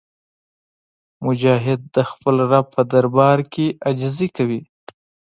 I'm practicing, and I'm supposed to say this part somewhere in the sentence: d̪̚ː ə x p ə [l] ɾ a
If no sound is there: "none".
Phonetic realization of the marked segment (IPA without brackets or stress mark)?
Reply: l